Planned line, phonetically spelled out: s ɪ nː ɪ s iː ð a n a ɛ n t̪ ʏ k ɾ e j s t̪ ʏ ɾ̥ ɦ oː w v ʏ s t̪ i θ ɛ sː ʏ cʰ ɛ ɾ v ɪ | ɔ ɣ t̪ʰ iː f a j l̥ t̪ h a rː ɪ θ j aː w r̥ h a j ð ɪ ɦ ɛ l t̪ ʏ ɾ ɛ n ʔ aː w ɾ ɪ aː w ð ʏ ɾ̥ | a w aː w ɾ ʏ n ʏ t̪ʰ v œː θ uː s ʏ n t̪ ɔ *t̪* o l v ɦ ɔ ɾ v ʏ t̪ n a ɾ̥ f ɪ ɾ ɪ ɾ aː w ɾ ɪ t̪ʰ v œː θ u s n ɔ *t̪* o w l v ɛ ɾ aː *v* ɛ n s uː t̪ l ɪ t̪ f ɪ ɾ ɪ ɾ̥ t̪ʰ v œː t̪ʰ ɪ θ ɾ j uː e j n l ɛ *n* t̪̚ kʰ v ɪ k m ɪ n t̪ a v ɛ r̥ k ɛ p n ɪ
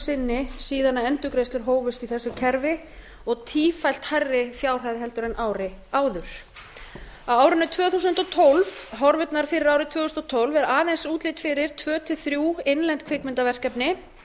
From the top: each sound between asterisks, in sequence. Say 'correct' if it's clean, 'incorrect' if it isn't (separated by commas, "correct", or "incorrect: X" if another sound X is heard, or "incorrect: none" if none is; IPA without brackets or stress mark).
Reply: incorrect: t̪ʰ, incorrect: t̪ʰ, incorrect: ð, correct